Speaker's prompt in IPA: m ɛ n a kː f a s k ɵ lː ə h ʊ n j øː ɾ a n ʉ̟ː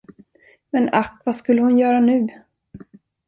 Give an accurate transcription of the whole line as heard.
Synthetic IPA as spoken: m ɛ n a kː v a s k ɵ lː ə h ʊ n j œː ɾ a n ʉ̟ː